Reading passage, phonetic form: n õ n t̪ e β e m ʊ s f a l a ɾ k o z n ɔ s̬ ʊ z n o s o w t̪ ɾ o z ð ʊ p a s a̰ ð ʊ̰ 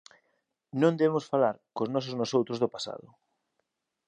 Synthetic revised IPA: n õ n d̪ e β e m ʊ s f a l a ɾ k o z n ɔ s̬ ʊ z n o s o w t̪ ɾ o z ð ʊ p a s a̰ ð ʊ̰